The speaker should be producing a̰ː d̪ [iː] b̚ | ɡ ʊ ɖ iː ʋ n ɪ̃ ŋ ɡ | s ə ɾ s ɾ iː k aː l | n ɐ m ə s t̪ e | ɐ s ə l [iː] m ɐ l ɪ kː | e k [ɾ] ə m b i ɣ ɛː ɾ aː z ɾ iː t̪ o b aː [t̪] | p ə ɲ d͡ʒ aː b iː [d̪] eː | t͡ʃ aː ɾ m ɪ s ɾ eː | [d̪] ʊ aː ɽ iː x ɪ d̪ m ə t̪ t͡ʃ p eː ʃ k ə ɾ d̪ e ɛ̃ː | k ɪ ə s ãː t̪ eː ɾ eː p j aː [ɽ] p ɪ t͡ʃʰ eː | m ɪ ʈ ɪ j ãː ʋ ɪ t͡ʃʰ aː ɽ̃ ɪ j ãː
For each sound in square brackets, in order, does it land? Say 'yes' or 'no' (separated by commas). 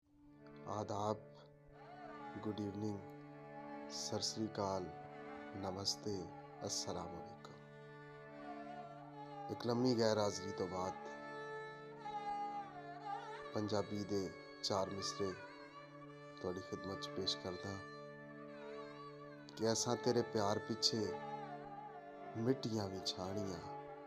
no, no, no, no, yes, no, no